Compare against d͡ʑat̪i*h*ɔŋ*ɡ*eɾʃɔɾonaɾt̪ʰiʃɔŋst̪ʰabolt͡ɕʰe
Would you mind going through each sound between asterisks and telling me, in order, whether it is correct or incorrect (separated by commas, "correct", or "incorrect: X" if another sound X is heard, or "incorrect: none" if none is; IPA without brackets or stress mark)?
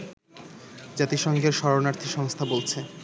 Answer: incorrect: ʃ, correct